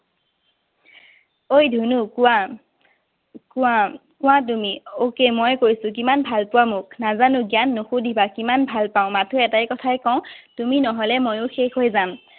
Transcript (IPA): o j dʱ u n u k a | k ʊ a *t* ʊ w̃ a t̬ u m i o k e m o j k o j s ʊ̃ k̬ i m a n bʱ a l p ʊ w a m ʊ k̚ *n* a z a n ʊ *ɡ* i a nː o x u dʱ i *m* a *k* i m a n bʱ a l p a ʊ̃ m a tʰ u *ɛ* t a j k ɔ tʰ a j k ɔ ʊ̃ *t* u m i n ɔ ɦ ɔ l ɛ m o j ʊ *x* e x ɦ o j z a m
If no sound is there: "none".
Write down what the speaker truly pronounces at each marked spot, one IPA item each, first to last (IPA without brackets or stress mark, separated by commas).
k, n, ɡ, b, k, ɛ, t, x